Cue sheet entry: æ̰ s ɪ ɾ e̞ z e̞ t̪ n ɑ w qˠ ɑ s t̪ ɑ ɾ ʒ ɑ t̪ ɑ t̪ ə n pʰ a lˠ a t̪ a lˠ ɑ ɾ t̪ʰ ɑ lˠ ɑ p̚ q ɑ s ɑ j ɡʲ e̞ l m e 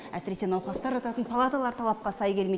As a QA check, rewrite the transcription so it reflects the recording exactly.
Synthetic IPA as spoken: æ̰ s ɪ ɾ e̞ s e̞ n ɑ w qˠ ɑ s t̪ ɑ ɾ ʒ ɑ t̪ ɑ t̪ ə n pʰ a lˠ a t̪ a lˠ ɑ ɾ t̪ʰ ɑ lˠ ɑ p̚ q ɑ s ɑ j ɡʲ e̞ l m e